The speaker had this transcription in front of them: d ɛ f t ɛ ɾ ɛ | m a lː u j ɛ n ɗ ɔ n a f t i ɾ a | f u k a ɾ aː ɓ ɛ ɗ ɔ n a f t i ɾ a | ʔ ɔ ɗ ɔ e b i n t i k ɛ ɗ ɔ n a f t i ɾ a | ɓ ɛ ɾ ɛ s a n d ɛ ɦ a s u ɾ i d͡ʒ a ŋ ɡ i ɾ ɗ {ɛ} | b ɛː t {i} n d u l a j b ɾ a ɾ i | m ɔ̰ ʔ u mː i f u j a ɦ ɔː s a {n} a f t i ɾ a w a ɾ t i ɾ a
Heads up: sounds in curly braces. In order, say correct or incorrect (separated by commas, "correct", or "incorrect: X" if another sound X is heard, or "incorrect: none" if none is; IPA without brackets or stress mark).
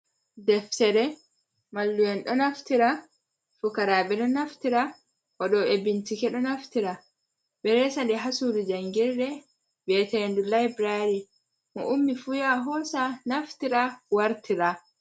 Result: correct, incorrect: ɛ, correct